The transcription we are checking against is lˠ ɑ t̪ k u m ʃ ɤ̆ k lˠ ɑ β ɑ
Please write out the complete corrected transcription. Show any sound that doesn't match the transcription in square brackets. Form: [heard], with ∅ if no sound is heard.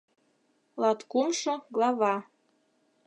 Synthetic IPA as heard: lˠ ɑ t̪ k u m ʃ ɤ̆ [ɡ] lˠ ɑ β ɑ